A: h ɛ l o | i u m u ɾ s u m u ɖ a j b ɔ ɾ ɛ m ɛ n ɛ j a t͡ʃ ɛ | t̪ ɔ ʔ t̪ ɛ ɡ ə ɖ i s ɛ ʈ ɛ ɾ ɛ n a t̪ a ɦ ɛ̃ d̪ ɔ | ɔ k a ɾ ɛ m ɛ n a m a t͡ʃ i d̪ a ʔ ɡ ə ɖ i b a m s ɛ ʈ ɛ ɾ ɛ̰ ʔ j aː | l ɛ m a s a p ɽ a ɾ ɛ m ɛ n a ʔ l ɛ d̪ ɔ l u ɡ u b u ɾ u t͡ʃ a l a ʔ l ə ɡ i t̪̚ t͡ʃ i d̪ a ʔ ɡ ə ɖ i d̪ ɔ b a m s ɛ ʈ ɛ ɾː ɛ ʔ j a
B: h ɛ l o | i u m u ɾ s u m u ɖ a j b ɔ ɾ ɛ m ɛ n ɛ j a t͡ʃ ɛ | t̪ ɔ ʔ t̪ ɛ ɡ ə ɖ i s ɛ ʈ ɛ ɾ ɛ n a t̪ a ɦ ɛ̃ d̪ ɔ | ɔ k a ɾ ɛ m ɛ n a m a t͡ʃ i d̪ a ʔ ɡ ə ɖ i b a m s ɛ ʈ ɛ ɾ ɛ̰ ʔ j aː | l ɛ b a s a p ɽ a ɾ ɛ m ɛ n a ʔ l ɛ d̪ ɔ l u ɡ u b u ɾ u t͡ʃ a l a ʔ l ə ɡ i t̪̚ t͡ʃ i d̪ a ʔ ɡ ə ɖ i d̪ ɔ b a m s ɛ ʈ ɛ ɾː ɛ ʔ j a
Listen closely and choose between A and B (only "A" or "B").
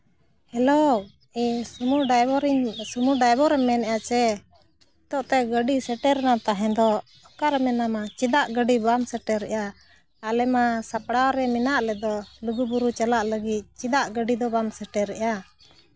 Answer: A